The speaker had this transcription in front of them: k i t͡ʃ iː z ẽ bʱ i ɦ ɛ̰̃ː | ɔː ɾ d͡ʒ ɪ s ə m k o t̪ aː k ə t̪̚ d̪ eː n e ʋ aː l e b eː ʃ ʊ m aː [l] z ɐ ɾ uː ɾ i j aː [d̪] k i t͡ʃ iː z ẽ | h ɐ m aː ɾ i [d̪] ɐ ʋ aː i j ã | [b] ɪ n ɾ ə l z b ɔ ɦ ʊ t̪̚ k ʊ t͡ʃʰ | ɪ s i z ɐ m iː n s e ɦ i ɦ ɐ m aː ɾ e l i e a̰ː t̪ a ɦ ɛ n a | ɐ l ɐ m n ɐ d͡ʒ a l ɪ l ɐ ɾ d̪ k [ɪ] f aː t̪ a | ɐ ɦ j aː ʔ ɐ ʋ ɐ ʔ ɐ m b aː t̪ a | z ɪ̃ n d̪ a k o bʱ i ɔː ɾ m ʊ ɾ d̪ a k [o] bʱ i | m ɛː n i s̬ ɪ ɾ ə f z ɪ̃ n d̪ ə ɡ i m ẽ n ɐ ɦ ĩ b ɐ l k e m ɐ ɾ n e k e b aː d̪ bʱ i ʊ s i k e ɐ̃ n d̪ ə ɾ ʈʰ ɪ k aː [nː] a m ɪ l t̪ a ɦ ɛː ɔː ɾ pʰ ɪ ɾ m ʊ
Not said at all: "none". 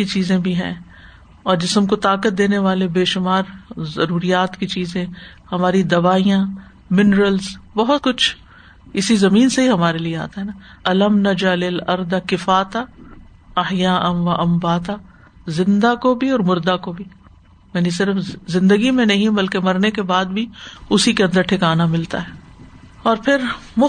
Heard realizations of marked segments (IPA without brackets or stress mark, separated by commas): ɾ, t̪, d̪, m, ɪ, o, n